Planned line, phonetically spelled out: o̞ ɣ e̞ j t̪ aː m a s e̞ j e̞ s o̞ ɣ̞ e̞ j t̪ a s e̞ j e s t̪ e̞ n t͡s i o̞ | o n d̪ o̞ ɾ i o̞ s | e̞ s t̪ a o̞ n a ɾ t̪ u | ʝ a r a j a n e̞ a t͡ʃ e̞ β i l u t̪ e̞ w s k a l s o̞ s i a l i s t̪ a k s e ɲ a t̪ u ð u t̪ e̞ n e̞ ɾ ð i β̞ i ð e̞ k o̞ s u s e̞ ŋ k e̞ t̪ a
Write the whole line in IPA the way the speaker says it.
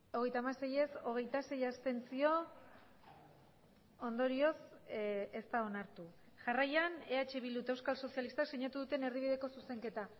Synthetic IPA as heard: o̞ ɣ e̞ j t̪ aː m a s e̞ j e̞ s o̞ ɣ̞ e̞ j t̪ a s e̞ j a s t̪ e̞ n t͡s i o̞ | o n d̪ o̞ ɾ i o̞ s | e̞ s t̪ a o̞ n a ɾ t̪ u | ʝ a r a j a n e̞ a t͡ʃ e̞ β i l u t̪ e̞ w s k a l s o̞ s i a l i s t̪ a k s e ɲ a t̪ u ð u t̪ e̞ n e̞ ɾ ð i β̞ i ð e̞ k o̞ s u s e̞ ŋ k e̞ t̪ a